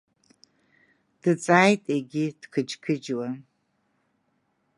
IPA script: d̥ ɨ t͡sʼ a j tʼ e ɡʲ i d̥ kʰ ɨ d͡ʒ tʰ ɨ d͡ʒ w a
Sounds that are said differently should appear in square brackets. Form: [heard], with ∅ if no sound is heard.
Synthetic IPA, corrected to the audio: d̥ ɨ t͡sʼ a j tʼ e ɡʲ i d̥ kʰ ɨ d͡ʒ [kʰ] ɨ d͡ʒ w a